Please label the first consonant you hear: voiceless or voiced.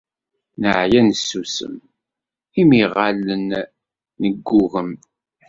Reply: voiced